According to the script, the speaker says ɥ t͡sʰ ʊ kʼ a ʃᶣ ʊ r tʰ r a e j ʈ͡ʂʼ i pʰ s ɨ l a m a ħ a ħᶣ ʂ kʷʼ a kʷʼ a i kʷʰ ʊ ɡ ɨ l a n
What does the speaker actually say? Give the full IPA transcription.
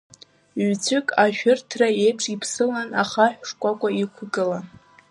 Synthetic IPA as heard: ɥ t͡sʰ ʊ kʼ a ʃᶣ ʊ r tʰ r a e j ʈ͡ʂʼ i pʰ s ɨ l a n a χ a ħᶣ ʂ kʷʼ a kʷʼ a i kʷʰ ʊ ɡ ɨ l a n